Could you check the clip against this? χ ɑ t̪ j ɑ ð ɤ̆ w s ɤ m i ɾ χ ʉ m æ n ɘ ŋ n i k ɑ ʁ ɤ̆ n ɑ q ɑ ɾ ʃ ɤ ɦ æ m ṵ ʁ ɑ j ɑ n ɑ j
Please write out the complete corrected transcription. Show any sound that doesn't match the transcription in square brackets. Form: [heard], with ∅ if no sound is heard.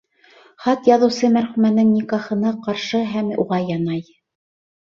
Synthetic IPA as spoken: χ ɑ t̪ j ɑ ð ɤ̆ w s ɤ m [æ] ɾ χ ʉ m æ n ɘ ŋ n i k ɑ [χ] ɤ̆ n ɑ q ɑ ɾ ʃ ɤ ɦ æ m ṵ ʁ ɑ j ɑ n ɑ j